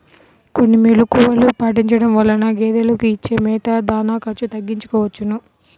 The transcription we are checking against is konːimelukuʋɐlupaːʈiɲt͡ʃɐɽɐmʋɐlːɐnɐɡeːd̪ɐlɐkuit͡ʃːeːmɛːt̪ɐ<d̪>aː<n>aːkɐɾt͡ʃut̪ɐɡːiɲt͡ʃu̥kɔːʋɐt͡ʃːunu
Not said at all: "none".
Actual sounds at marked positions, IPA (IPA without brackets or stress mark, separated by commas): d̪, n